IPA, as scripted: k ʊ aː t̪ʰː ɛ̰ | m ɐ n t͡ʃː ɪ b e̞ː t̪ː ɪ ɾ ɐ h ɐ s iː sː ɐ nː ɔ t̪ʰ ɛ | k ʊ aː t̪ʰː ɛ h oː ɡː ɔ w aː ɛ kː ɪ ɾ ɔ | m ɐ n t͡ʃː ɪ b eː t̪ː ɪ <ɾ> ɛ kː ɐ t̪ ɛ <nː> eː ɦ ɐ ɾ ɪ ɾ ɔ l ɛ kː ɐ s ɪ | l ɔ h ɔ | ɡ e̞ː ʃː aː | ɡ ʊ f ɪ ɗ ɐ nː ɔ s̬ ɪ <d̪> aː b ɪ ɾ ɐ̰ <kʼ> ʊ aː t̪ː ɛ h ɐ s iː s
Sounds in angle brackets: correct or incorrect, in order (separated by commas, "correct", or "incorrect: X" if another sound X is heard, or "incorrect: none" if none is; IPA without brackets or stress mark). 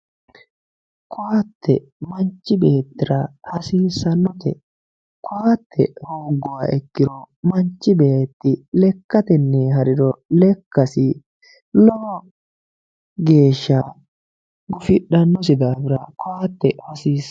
incorrect: l, correct, correct, incorrect: k